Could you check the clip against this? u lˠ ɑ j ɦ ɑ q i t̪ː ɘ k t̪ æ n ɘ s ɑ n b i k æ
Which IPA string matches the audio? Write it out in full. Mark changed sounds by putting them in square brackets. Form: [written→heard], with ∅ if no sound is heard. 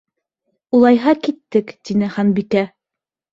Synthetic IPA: u lˠ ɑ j ɦ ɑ [q→k] i t̪ː ɘ k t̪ [æ→i] n ɘ [s→χ] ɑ n b i k æ